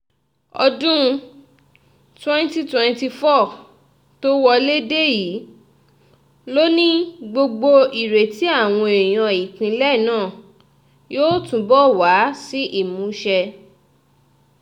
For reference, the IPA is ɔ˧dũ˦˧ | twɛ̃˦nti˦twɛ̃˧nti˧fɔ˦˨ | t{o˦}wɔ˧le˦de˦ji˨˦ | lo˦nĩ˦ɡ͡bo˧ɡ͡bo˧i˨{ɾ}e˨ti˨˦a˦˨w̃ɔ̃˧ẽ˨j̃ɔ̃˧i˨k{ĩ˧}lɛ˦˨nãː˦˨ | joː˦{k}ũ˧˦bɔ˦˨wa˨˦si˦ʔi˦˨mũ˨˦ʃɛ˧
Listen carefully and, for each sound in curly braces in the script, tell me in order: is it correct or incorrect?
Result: correct, correct, correct, incorrect: t

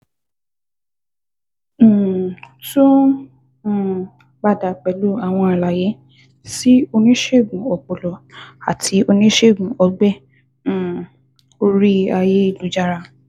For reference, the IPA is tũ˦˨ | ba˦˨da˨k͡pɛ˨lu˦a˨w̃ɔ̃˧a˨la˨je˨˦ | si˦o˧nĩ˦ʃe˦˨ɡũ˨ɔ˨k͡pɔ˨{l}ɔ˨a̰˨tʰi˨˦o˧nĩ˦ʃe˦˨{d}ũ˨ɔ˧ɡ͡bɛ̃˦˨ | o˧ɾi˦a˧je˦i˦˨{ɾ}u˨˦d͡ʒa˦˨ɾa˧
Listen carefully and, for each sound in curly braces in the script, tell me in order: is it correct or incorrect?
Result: correct, incorrect: ɡ, incorrect: l

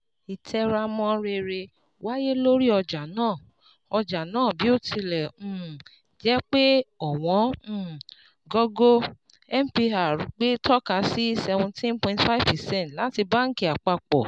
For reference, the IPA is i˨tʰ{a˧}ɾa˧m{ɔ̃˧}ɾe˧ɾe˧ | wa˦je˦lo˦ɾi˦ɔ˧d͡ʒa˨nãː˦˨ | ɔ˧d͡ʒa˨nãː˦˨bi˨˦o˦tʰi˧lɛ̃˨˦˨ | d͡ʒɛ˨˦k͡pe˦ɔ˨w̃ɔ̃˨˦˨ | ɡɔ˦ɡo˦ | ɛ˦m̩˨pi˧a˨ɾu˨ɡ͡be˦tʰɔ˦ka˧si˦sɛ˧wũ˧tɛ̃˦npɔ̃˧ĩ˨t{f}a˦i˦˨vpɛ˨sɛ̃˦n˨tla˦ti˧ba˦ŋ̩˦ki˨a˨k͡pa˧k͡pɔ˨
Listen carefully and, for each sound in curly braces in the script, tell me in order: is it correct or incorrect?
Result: incorrect: ɛ˧, correct, correct

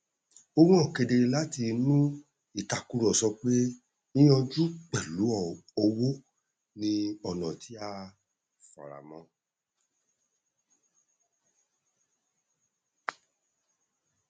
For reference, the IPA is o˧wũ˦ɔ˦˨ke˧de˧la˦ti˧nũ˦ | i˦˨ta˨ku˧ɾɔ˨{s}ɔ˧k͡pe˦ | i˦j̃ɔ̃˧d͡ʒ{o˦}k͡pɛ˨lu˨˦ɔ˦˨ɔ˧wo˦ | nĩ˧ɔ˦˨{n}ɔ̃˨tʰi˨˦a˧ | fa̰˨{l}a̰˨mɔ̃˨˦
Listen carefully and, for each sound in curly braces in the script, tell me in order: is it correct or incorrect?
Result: correct, incorrect: u˦, correct, incorrect: ɾ

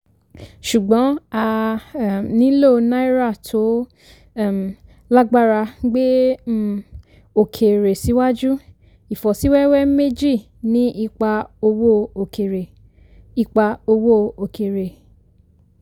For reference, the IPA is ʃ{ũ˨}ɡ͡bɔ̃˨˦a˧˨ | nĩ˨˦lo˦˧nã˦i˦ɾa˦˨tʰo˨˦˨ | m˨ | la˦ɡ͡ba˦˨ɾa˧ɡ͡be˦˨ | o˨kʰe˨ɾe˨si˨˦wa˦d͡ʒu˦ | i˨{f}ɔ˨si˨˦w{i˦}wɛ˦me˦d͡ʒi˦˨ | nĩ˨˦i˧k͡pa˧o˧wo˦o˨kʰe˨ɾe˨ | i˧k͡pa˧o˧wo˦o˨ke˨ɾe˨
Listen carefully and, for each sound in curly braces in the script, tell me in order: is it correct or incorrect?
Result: incorrect: u˨, correct, incorrect: ɛ˦

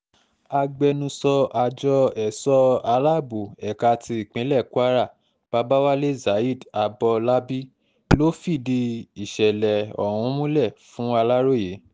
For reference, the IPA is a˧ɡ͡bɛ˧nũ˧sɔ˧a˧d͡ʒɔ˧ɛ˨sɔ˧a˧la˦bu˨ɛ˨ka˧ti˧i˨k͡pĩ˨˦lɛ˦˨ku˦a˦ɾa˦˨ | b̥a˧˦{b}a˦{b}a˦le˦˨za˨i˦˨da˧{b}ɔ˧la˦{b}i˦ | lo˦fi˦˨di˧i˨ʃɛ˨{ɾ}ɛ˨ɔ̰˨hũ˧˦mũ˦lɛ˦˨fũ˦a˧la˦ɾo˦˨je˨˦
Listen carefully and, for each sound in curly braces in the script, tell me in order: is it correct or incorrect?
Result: correct, incorrect: w, correct, correct, incorrect: l

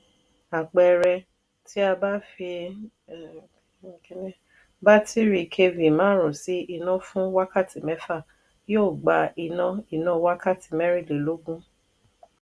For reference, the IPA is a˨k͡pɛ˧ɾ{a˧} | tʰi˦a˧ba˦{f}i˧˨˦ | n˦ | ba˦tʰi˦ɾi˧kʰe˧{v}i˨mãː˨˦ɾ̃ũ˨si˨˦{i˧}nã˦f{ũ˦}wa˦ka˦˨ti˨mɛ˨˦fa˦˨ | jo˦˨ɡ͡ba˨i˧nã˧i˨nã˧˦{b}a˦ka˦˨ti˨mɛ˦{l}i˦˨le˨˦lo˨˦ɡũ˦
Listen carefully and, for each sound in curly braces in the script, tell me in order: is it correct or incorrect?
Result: incorrect: ɛ˧, correct, correct, correct, correct, incorrect: w, incorrect: ɾ

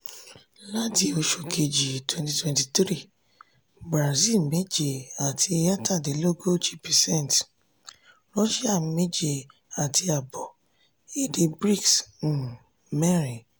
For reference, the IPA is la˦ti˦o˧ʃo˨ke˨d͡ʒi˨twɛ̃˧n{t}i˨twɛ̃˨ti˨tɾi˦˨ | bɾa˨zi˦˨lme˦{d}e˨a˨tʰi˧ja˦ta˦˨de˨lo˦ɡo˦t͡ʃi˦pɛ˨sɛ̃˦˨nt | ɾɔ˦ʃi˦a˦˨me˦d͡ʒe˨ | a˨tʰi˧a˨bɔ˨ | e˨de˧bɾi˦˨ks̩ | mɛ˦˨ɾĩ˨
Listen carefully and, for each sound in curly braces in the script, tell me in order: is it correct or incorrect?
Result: correct, incorrect: d͡ʒ

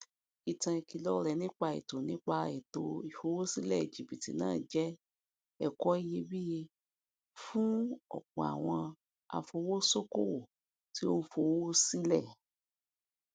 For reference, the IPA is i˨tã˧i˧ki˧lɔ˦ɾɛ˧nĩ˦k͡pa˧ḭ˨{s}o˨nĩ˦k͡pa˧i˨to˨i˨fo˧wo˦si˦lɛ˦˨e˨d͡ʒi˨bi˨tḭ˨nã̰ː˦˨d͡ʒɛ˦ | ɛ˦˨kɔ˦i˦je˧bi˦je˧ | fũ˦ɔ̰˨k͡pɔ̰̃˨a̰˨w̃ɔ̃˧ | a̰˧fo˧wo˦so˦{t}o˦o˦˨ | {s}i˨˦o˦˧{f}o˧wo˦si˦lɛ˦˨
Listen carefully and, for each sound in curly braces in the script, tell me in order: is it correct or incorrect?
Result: incorrect: t, incorrect: k, incorrect: t, correct

